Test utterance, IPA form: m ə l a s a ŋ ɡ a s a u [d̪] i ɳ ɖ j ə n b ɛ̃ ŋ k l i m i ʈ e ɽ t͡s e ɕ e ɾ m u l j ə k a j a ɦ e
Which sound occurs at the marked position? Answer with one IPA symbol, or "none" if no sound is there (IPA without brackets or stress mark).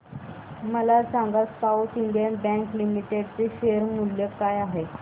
t̪